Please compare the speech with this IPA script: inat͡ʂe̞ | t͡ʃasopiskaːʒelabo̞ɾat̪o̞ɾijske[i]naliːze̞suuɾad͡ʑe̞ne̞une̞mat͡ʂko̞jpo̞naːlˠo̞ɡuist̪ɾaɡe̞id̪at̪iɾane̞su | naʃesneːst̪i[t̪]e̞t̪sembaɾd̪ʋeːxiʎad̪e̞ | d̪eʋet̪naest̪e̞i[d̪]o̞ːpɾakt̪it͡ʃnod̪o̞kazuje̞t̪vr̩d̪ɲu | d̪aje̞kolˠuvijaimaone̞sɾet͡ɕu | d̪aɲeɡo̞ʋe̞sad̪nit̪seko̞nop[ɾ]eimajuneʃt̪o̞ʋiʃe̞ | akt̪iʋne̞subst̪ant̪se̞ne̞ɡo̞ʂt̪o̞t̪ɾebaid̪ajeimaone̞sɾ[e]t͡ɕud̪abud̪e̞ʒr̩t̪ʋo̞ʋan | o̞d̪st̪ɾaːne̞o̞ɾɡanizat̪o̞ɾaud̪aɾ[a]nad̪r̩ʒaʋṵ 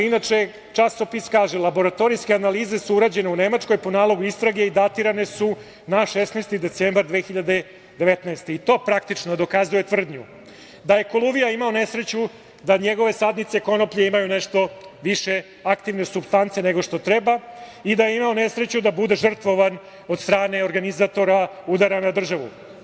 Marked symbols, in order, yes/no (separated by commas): no, no, no, no, yes, yes